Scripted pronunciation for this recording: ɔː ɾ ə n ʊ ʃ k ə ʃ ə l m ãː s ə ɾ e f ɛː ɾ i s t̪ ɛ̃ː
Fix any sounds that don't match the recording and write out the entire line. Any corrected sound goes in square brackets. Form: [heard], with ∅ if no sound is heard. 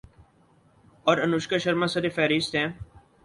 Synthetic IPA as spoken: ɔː ɾ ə n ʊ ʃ k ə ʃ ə [ɾ] m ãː s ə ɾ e f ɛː ɾ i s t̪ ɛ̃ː